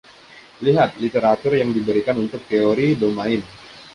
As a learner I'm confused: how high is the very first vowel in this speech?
high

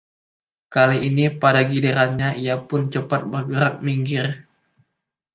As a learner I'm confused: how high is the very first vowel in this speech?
low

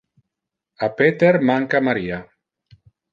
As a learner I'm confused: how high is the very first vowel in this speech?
low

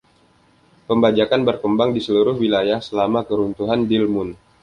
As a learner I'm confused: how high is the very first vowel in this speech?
mid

